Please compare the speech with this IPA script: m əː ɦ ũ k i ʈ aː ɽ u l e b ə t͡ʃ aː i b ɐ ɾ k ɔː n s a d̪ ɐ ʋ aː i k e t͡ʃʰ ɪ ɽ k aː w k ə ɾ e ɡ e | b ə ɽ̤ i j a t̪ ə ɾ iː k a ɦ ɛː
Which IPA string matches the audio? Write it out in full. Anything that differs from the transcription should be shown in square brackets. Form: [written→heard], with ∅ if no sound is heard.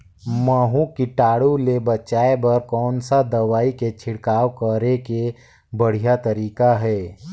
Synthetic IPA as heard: m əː ɦ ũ k i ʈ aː ɽ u l e b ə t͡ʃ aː [i→e] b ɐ ɾ k ɔː n s a d̪ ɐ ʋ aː i k e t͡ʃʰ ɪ ɽ k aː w k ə ɾ e [ɡ→k] e | b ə ɽ̤ i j a t̪ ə ɾ iː k a ɦ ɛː